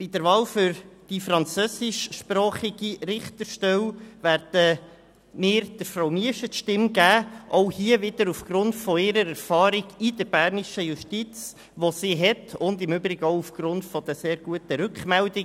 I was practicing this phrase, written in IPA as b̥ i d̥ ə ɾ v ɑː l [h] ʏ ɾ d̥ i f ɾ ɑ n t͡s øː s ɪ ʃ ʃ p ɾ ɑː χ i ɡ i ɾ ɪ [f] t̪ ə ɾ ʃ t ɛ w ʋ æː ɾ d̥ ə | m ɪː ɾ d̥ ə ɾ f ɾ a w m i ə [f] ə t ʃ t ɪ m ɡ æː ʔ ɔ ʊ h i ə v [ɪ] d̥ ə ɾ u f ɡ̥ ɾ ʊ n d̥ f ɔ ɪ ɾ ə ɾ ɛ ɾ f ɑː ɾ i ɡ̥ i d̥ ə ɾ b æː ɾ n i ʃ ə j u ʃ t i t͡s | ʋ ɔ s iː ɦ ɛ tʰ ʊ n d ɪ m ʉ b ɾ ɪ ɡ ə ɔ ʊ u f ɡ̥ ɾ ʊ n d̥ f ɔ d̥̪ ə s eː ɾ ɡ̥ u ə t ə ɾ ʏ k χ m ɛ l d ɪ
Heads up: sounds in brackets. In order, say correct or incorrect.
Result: incorrect: f, incorrect: χ, incorrect: ʃ, correct

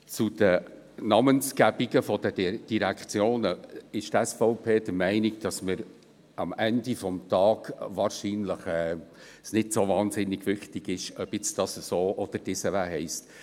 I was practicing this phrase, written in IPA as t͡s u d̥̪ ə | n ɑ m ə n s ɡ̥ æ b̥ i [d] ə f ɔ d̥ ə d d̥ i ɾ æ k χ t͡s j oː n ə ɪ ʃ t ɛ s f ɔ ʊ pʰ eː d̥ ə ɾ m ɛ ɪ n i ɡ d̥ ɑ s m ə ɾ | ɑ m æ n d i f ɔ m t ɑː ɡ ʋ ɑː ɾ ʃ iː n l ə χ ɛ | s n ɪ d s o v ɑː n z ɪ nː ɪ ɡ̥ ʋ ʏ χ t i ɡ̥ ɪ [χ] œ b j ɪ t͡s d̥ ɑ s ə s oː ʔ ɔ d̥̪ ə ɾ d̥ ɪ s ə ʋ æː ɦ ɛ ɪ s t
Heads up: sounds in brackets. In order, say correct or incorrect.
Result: incorrect: ɡ, incorrect: ʃ

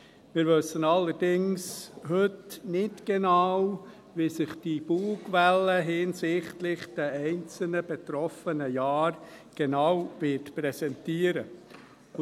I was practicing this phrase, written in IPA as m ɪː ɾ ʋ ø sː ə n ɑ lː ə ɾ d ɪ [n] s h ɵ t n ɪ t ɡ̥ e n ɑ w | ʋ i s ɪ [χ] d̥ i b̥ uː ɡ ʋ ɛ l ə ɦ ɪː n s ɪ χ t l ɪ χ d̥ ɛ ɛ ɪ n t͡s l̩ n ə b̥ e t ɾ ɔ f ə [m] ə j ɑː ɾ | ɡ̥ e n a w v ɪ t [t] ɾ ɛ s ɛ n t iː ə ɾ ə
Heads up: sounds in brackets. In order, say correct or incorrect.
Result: incorrect: ŋ, correct, incorrect: n, incorrect: p

